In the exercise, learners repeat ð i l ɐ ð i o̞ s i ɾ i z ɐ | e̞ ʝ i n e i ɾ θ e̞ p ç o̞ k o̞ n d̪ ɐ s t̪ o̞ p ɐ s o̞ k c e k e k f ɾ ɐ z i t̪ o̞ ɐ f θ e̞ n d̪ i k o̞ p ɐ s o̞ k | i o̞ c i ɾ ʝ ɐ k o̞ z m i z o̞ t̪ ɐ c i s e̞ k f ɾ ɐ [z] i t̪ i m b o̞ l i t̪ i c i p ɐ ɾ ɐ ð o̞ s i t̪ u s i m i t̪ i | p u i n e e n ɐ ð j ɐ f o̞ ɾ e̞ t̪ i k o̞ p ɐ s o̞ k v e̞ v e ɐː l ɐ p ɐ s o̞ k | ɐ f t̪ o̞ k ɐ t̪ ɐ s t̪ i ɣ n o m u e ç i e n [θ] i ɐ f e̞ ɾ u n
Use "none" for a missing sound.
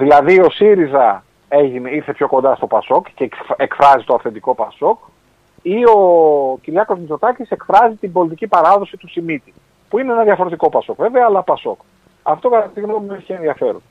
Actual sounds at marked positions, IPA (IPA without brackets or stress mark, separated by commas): z, ð